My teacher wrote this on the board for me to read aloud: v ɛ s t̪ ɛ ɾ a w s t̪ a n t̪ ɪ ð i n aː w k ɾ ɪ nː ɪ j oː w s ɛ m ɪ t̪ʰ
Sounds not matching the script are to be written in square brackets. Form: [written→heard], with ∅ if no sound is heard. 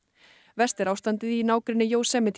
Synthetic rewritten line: v ɛ s t̪ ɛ ɾ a w s t̪ a n t̪ ɪ ð i n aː w k ɾ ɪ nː ɪ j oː w s ɛ m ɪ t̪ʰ